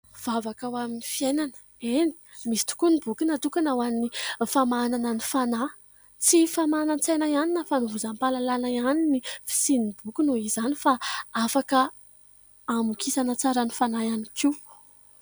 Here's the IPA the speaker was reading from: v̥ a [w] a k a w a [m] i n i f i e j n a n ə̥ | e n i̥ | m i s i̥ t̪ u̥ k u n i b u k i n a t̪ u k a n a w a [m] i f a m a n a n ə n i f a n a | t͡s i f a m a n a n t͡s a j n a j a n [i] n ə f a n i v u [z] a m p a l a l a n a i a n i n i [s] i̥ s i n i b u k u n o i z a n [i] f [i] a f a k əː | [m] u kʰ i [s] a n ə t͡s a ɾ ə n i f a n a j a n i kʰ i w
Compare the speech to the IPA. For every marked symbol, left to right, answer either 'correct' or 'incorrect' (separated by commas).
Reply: incorrect, correct, incorrect, correct, correct, incorrect, correct, incorrect, correct, correct